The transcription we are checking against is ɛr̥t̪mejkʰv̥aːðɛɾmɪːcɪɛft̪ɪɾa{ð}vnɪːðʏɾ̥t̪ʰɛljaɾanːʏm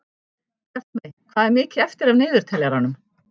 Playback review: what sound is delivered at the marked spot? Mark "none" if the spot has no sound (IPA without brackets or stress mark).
none